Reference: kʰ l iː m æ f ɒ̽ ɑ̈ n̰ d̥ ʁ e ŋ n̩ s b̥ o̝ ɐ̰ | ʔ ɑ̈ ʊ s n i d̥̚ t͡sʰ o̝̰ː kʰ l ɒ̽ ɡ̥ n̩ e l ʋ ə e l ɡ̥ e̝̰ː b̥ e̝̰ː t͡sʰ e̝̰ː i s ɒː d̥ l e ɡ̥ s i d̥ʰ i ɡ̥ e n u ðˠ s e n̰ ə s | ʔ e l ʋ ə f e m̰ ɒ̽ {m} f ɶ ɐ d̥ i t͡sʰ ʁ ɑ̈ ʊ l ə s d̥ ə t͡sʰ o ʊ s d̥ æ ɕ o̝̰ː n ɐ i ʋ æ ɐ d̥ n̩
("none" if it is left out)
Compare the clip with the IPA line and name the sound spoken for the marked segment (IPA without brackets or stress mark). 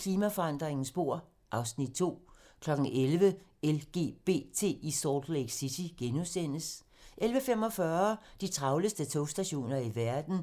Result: none